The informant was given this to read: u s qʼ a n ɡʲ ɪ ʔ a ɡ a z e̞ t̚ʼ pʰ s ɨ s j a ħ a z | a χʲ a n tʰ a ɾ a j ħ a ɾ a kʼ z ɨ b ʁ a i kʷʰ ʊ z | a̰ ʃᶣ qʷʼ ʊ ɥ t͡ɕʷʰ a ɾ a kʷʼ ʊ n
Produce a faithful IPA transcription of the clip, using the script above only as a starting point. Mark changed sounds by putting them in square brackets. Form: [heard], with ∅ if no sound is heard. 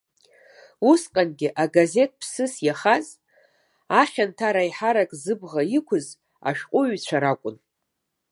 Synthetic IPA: u s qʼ a n ɡʲ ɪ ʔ a ɡ a z e̞ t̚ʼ pʰ s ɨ s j a [χ] a z | a χʲ a n tʰ a ɾ a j ħ a ɾ a kʼ z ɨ b ʁ a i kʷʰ ʊ z | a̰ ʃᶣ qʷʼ ʊ ɥ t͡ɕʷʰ a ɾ a kʷʼ ʊ n